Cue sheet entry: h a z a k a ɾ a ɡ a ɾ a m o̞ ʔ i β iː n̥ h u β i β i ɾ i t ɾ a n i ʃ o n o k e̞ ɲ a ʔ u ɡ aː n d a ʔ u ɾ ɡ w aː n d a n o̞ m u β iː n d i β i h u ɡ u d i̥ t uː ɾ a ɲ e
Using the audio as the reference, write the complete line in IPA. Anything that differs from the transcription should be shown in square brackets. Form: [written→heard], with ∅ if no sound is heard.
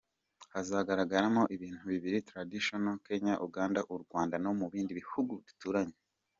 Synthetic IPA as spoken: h a z a [k→ɡ] a ɾ a ɡ a ɾ a m o̞ ʔ i β iː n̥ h u β i β i ɾ i t ɾ a [n→d] i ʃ o n o k e̞ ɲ a ʔ u ɡ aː n d a ʔ u ɾ ɡ w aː n d a n o̞ m u β iː n d i β i h u ɡ u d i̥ t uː ɾ a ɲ e